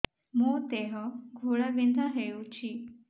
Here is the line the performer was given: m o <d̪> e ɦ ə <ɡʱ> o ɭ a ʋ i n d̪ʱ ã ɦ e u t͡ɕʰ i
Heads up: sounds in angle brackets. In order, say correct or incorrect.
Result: incorrect, correct

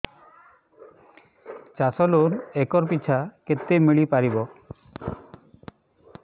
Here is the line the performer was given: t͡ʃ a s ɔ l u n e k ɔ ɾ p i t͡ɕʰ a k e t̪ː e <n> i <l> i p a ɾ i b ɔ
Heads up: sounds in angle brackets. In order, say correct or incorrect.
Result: incorrect, incorrect

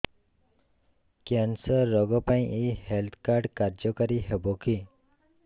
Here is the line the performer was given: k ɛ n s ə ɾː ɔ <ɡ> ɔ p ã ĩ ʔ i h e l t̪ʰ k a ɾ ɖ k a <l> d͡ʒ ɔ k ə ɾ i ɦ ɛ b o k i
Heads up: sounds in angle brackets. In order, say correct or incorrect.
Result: correct, incorrect

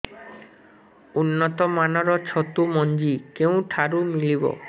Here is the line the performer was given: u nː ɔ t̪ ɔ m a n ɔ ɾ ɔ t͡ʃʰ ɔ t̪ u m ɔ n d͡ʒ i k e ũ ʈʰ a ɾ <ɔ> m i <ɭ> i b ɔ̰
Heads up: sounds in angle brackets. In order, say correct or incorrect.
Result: incorrect, incorrect

